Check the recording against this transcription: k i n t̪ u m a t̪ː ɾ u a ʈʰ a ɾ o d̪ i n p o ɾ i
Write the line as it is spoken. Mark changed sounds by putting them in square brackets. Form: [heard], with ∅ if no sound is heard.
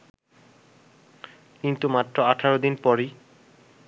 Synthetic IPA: k i n t̪ u m a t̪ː ɾ [o] a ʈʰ a ɾ o d̪ i n p [ɔ] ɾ i